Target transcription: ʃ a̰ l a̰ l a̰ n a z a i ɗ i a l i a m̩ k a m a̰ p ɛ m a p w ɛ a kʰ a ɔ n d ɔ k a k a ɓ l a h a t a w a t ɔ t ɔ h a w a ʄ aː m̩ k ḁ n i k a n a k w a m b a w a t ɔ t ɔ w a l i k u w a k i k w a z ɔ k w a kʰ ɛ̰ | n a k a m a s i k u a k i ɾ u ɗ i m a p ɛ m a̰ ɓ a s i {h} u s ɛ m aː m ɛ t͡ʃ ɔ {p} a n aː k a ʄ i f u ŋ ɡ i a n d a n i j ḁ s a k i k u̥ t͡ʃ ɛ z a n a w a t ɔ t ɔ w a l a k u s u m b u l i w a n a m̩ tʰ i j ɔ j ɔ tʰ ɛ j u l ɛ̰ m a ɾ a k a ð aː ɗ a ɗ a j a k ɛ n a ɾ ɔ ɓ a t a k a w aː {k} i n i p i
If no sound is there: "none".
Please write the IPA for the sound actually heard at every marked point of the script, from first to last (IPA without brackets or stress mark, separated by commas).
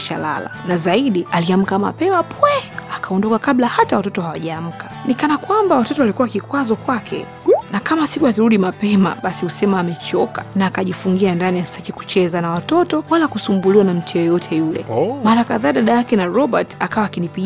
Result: h, k, k